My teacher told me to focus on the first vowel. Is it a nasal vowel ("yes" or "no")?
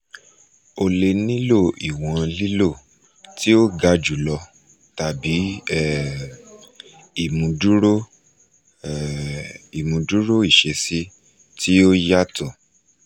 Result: no